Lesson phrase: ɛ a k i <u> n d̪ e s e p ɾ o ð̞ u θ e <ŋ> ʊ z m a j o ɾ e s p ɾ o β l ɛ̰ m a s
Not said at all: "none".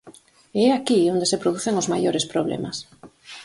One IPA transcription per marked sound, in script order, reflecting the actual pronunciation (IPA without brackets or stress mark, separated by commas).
o, ŋ